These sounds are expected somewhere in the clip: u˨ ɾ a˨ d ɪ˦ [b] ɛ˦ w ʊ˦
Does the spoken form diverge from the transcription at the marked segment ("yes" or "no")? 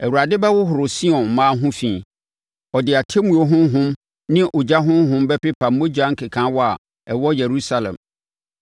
no